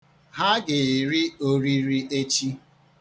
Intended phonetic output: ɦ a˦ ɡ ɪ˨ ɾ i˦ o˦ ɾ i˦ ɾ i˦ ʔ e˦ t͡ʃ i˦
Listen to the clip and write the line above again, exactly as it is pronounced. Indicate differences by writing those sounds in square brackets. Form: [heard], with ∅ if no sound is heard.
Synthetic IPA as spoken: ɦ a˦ ɡ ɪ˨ ɾ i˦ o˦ ɾ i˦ ɾ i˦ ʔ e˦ t͡ʃ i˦